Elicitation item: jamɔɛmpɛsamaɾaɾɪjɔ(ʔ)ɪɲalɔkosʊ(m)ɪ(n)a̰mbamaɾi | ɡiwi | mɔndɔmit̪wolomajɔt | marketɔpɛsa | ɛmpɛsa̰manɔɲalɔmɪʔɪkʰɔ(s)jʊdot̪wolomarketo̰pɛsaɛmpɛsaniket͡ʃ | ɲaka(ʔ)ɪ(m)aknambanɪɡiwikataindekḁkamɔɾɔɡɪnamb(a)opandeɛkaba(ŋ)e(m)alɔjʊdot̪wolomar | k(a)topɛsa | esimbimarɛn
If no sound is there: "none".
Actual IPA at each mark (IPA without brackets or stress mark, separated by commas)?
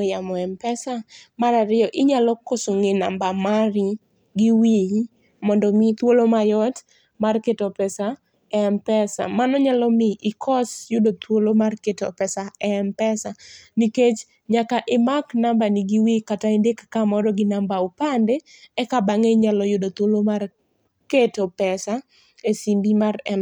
ʔ, ŋ, n, s, ʔ, m, a, ŋ, ɲ, e